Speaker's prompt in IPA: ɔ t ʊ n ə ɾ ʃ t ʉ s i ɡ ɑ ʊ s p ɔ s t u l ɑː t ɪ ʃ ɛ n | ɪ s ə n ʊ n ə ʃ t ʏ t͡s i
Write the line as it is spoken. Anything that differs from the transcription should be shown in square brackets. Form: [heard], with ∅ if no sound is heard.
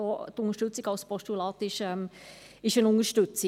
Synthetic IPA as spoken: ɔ t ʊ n ə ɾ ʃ t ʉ [t͡s] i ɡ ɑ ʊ s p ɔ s t u l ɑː t ɪ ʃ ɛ [m] | ɪ [ʃ] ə n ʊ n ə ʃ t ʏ t͡s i